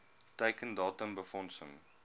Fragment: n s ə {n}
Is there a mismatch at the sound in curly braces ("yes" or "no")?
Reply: yes